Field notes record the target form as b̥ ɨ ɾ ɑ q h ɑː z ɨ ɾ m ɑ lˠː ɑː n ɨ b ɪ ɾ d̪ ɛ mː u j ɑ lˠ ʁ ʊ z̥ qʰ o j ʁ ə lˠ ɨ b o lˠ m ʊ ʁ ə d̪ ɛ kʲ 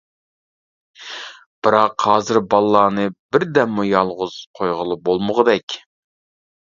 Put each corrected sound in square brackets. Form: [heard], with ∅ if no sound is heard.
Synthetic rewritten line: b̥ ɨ ɾ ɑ q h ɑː z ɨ ɾ [b] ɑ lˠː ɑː n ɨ b ɪ ɾ d̪ ɛ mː u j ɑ lˠ ʁ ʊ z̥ qʰ o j ʁ ə lˠ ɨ b o lˠ m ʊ ʁ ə d̪ ɛ kʲ